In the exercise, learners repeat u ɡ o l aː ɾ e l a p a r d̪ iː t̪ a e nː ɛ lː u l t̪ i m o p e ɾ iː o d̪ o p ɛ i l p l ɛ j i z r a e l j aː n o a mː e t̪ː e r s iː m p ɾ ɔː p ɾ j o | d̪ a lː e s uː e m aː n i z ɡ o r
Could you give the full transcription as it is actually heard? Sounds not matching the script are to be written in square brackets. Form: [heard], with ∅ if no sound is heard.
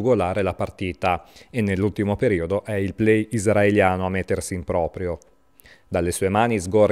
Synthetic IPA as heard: u ɡ o l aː ɾ e l a p a r [t̪] iː t̪ a e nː [e] lː u l t̪ i m o p e ɾ iː o d̪ o [ʔ] ɛ i l p l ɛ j i z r a e l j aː n o a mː e t̪ː e r s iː m p ɾ ɔː p ɾ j o | d̪ a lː e s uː e m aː n i z ɡ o r

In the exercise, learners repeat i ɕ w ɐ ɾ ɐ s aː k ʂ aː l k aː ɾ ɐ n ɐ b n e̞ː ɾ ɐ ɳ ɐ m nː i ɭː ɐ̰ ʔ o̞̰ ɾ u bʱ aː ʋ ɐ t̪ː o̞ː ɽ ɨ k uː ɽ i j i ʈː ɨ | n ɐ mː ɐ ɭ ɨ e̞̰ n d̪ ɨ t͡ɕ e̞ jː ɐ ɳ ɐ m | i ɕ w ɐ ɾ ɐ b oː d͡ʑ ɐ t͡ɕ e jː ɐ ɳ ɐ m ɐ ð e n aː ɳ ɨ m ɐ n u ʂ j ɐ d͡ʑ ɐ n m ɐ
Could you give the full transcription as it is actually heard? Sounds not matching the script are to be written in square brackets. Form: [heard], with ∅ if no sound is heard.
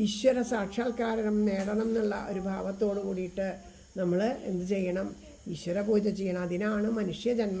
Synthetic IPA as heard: i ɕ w ɐ ɾ ɐ s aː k ʂ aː l k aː ɾ ɐ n ɐ [m] n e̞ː [ɽ] ɐ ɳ ɐ m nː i ɭː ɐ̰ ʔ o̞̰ ɾ u bʱ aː ʋ ɐ t̪ː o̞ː ɽ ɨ k uː ɽ i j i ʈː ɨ | n ɐ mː ɐ ɭ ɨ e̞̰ n d̪ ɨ t͡ɕ e̞ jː ɐ ɳ ɐ m | i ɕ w ɐ ɾ ɐ b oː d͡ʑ ɐ t͡ɕ e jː ɐ ɳ ɐ m ɐ ð [i] n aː ɳ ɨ m ɐ n u ʂ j ɐ d͡ʑ ɐ n m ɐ

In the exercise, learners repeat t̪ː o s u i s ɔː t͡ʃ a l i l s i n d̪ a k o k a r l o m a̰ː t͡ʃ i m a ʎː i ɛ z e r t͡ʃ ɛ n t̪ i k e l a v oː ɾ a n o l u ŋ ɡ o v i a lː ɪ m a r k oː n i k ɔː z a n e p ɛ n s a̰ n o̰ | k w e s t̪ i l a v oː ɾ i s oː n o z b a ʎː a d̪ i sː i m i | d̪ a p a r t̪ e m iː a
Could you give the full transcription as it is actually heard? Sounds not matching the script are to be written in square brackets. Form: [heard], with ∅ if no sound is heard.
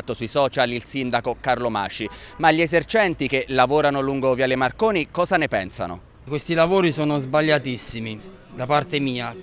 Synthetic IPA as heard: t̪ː o s u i s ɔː t͡ʃ a l i l s i n d̪ a k o k a r l o m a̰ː t͡ʃ i m a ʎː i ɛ z e r t͡ʃ ɛ n t̪ i k e l a v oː ɾ a n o l u ŋ ɡ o v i a [l] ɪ m a r k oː n i k ɔː z a n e p ɛ n s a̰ n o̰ | k w e s t̪ i l a v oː ɾ i s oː n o z b a ʎː a [t̪] i sː i m i | d̪ a p a r t̪ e m iː a

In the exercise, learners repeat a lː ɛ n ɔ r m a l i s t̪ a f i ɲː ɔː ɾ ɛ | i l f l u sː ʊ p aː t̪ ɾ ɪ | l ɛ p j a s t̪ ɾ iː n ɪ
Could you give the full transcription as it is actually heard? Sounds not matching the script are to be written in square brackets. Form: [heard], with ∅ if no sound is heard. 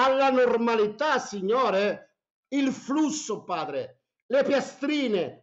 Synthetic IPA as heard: a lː [a] n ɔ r m a l i [∅] t̪ a [s] i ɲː ɔː ɾ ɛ | i l f l u sː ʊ p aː [d̪] ɾ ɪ | l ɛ p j a s t̪ ɾ iː n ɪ

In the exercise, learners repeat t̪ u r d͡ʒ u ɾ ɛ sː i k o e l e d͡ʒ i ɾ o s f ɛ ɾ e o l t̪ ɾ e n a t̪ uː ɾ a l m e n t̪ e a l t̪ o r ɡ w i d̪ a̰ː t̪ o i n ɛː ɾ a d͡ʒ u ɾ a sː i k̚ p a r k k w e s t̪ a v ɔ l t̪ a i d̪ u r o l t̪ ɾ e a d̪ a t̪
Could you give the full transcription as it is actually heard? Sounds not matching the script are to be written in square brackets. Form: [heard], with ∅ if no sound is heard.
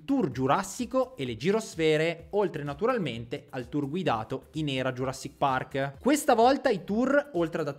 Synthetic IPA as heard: t̪ u r d͡ʒ u ɾ [a] sː i k o e l e d͡ʒ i ɾ o s f [ɛː] ɾ e o l t̪ ɾ e n a t̪ [u] ɾ a l m e n t̪ e a l t̪ [u] r ɡ w i d̪ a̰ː t̪ o i n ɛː ɾ a d͡ʒ u ɾ a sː i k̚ p a r k k w e s t̪ a v ɔ l t̪ a i [t̪] u r o l t̪ ɾ e a d̪ a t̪

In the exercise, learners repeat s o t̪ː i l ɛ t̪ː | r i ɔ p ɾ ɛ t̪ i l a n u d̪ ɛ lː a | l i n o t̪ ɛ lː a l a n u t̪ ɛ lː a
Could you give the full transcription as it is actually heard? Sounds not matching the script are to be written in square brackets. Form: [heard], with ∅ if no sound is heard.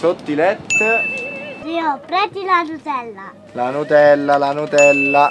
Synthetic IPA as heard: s o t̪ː i l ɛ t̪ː | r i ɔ p ɾ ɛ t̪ i l a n u [t̪] ɛ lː a | l [a] n [u] t̪ ɛ lː a l a n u t̪ ɛ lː a

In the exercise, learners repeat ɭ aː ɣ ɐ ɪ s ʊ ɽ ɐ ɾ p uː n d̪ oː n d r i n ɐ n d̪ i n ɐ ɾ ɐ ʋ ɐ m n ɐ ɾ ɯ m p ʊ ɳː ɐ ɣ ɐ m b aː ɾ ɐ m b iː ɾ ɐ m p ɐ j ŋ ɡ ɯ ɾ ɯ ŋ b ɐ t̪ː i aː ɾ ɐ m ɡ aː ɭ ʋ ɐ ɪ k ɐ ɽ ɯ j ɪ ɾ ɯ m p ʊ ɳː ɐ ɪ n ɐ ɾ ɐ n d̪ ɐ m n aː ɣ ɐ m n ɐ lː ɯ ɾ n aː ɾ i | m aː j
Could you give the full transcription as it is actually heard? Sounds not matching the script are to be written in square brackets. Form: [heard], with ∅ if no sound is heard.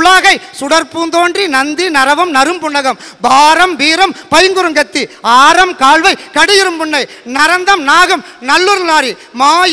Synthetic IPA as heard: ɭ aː ɣ ɐ ɪ s ʊ ɽ ɐ ɾ p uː n d̪ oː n d r i n ɐ n d̪ i n ɐ ɾ ɐ ʋ ɐ m n ɐ ɾ ɯ m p ʊ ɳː ɐ ɣ ɐ m b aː ɾ ɐ m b iː ɾ ɐ m p ɐ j ŋ ɡ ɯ ɾ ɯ ŋ [ɡ] ɐ t̪ː i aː ɾ ɐ m [k] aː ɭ ʋ ɐ ɪ k ɐ ɽ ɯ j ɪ ɾ ɯ m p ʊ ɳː ɐ ɪ n ɐ ɾ ɐ n d̪ ɐ m n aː ɣ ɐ m n ɐ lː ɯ ɾ n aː ɾ i | m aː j

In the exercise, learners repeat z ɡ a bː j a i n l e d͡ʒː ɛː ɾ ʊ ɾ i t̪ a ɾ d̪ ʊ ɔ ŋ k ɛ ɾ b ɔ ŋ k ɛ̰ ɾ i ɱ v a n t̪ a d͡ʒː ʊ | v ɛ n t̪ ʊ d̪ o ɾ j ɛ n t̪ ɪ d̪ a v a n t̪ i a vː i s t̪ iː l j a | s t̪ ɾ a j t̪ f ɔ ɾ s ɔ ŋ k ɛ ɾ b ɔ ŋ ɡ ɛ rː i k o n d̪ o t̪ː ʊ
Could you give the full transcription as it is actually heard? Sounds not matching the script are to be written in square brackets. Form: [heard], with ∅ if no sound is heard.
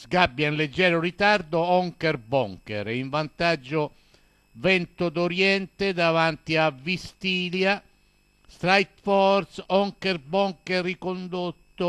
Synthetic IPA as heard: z ɡ a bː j a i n l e d͡ʒː ɛː ɾ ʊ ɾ i t̪ a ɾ d̪ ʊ ɔ ŋ k ɛ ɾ b ɔ ŋ k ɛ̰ ɾ i ɱ v a n t̪ a d͡ʒː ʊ | v ɛ n t̪ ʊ d̪ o ɾ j ɛ n t̪ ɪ d̪ a v a n t̪ i a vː i s t̪ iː l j a | s t̪ ɾ a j t̪ f ɔ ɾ s ɔ ŋ k ɛ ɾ b ɔ ŋ [k] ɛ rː i k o n d̪ o t̪ː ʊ

